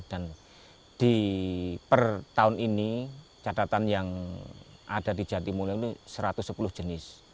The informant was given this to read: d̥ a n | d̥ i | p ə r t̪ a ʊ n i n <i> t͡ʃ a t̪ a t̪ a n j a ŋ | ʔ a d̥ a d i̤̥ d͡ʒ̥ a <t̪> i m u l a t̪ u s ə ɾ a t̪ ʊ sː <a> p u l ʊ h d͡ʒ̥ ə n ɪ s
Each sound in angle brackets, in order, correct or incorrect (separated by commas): correct, correct, incorrect